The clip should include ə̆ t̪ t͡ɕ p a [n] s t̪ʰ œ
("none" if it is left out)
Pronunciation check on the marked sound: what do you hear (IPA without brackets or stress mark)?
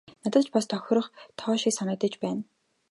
none